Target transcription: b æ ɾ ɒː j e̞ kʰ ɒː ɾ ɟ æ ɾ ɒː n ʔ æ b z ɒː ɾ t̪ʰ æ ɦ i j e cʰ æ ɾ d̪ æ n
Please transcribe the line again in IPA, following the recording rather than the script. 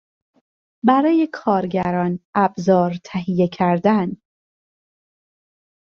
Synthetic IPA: b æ ɾ ɒː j e̞ kʰ ɒː ɾ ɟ æ ɾ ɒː n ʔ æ b z ɒː ɾ t̪ʰ æ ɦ i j e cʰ æ ɾ d̪ æ n